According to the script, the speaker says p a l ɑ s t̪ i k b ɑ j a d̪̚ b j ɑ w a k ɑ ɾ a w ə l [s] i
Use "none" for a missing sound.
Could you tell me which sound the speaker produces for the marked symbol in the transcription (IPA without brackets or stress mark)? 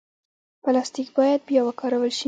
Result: ʃ